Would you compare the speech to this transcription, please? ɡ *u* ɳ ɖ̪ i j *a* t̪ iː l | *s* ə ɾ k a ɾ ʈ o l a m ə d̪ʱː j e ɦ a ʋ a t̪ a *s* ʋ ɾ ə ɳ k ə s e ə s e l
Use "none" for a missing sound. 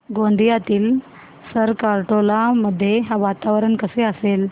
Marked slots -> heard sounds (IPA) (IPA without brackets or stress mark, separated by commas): o, a, s, none